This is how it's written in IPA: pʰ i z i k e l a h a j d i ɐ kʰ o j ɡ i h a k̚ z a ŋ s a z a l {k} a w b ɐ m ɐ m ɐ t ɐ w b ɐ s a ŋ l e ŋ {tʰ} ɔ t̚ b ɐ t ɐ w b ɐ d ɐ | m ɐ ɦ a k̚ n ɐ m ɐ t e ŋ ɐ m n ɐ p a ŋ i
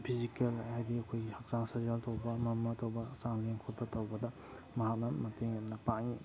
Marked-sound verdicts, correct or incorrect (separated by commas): incorrect, incorrect